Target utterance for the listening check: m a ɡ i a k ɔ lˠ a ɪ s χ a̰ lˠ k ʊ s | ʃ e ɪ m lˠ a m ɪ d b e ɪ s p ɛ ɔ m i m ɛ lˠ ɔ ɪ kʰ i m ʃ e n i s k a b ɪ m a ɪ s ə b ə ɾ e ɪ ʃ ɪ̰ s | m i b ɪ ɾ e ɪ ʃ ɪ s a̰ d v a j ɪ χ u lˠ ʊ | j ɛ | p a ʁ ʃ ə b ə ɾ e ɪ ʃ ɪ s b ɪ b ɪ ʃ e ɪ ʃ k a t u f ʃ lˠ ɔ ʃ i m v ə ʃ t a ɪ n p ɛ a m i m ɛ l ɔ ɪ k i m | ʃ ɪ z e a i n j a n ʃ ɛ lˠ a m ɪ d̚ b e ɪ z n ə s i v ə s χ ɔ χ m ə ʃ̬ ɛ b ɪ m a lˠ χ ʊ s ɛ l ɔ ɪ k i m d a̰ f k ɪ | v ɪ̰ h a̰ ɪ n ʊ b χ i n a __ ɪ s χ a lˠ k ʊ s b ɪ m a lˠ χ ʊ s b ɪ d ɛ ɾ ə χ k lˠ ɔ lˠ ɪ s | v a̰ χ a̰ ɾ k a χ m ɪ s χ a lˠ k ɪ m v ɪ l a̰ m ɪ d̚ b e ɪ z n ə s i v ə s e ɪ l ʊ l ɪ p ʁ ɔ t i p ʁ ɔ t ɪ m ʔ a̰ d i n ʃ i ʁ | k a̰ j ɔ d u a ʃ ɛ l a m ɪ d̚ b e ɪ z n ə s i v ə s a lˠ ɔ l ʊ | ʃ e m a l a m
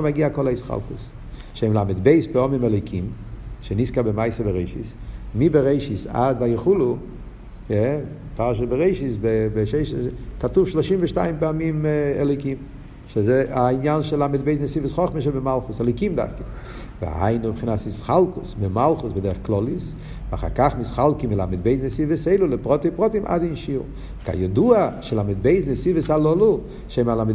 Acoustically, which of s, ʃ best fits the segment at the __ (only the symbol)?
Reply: s